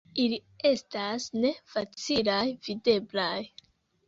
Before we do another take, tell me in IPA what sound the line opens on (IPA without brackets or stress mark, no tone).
i